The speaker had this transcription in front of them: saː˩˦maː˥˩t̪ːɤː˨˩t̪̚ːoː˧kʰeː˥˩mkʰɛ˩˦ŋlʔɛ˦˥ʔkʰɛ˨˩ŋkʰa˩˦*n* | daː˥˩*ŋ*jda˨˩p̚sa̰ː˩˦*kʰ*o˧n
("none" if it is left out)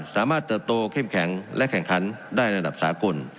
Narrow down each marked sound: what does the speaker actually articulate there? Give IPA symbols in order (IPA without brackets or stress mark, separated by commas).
n, none, k